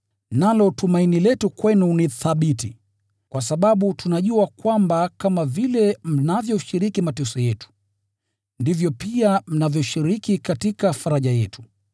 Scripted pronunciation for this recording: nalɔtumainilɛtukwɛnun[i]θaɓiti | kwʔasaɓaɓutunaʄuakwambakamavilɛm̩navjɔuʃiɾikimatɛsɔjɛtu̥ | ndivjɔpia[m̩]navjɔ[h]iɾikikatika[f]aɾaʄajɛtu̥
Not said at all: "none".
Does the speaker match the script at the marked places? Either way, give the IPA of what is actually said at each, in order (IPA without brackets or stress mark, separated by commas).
i, m̩, ʃ, f